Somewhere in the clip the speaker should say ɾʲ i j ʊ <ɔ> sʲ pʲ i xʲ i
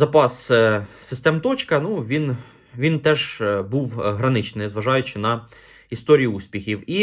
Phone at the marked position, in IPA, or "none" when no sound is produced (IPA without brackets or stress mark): u